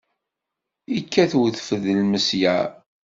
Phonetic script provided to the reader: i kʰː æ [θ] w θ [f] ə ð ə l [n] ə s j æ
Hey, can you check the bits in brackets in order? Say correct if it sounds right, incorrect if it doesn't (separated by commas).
correct, correct, incorrect